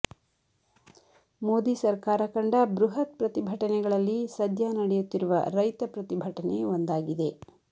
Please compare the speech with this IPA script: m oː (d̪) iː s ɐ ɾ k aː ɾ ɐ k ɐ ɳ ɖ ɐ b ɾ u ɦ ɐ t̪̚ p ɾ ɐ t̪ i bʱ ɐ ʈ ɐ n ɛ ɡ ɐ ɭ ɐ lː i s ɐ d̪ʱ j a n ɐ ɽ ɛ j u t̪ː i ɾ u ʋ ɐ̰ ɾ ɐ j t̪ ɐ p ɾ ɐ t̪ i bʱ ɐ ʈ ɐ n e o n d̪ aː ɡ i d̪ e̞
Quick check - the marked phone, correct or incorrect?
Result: correct